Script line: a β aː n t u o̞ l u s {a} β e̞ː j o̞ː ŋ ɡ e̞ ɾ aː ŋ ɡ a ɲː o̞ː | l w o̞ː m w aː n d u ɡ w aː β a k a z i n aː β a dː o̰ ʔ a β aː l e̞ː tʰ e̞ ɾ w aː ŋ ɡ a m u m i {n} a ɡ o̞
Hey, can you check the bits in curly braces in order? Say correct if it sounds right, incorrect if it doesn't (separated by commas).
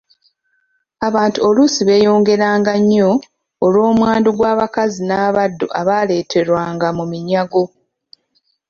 incorrect, incorrect